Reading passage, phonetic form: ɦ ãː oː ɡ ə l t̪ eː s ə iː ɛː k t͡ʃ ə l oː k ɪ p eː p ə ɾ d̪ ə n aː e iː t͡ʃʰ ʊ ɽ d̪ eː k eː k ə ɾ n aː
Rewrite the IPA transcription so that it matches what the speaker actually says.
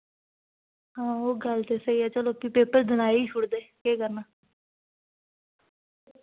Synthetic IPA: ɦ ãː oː ɡ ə l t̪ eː s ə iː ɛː t͡ʃ ə l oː k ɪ p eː p ə ɾ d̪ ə n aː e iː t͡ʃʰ ʊ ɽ d̪ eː k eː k ə ɾ n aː